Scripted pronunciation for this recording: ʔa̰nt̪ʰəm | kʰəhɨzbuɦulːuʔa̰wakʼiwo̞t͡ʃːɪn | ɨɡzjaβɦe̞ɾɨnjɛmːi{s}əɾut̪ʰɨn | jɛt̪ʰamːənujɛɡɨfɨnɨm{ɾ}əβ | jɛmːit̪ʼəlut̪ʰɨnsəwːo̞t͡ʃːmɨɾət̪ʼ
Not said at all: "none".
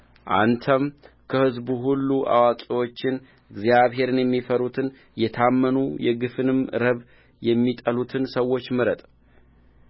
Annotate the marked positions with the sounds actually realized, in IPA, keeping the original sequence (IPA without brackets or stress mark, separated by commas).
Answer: f, ɾ